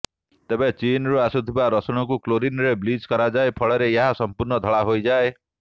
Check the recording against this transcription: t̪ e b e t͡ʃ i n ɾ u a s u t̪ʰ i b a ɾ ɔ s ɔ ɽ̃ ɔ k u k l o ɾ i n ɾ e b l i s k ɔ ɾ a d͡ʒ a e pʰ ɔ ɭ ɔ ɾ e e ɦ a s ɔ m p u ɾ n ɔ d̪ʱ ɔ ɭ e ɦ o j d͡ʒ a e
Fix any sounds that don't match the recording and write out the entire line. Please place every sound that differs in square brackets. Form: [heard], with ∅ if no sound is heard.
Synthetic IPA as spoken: t̪ e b e t͡ʃ i n ɾ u a s u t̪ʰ i b a ɾ ɔ s ɔ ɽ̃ ɔ k u k l o ɾ i n ɾ e b l i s k ɔ ɾ a d͡ʒ a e pʰ ɔ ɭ ɔ ɾ e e ɦ a s ɔ m p u ɾ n ɔ d̪ʱ ɔ ɭ [a] ɦ o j d͡ʒ a e